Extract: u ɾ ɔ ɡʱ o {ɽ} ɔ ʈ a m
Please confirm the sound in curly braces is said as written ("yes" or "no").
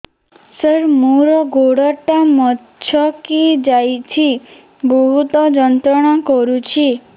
yes